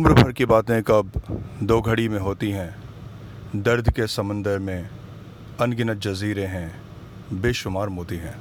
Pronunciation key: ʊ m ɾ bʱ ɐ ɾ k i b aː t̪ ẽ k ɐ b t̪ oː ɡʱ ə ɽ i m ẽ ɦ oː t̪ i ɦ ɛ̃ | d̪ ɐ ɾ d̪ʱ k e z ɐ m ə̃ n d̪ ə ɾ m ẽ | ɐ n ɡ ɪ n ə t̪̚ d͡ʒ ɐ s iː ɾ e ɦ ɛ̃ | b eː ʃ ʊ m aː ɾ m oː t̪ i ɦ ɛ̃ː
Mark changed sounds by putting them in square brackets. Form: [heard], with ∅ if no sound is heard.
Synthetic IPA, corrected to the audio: ʊ m ɾ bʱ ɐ ɾ k i b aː t̪ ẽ k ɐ b [d̪] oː ɡʱ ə ɽ i m ẽ ɦ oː t̪ i ɦ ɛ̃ | d̪ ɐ ɾ d̪ʱ k e [s] ɐ m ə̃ n d̪ ə ɾ m ẽ | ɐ n ɡ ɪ n ə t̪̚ d͡ʒ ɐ [z] iː ɾ e ɦ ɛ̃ | b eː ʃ ʊ m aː ɾ m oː t̪ i ɦ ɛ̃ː